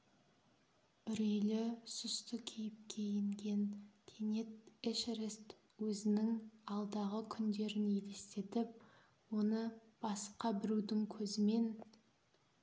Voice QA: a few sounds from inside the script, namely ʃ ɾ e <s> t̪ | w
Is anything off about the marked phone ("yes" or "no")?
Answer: no